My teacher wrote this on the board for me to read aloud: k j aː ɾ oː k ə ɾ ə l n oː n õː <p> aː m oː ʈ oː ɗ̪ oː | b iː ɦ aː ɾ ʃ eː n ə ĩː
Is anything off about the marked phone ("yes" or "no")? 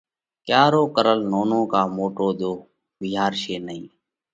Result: yes